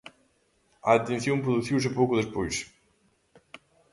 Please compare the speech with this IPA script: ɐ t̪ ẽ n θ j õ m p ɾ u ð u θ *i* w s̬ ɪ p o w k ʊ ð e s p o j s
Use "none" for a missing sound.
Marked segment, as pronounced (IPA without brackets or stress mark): i